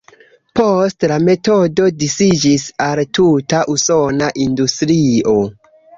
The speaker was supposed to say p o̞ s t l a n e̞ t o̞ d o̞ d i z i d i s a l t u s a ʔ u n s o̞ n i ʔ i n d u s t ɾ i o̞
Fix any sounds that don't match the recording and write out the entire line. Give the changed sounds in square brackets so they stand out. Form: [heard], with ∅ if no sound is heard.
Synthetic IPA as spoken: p o̞ s t l a [m] e̞ t o̞ d o̞ d i [s] i [d͡ʒ] i s a l t u [t] a ʔ u [∅] s o̞ n [a] ʔ i n d u s t ɾ i o̞